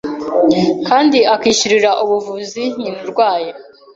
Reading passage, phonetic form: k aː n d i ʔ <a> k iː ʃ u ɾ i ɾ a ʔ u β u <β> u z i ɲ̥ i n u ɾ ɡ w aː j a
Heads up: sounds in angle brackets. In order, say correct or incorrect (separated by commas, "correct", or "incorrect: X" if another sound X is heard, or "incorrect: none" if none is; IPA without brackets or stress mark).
correct, incorrect: v